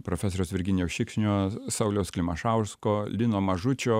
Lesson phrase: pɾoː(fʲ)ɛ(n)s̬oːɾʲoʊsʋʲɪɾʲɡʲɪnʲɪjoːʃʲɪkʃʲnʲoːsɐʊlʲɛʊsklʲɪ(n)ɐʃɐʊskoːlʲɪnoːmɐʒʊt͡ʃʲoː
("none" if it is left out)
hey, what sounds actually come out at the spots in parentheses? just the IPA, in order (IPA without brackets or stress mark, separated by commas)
fʲ, none, m